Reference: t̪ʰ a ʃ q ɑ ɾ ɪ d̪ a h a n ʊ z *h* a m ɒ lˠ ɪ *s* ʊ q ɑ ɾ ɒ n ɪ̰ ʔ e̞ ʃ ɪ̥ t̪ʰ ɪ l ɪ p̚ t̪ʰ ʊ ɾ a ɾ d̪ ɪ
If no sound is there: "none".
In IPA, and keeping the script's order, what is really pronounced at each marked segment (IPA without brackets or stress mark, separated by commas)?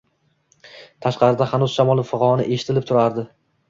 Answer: ʃ, f